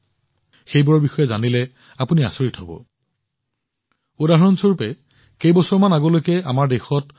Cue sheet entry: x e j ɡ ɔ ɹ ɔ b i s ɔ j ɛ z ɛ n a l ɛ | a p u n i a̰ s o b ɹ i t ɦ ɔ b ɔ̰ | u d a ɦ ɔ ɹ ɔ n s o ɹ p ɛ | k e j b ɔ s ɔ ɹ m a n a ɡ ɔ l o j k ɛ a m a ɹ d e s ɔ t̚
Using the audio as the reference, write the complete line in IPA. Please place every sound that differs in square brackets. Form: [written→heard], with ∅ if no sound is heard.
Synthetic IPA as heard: x e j [ɡ→b] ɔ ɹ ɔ b i [s→x] ɔ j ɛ z [ɛ→a] n [a→i] l ɛ | a p u n i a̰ s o [b→∅] ɹ i t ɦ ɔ b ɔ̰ | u d a ɦ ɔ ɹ ɔ n s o ɹ p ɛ | k e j b ɔ s ɔ ɹ m a n a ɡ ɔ l o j k ɛ a m a ɹ d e [s→x] ɔ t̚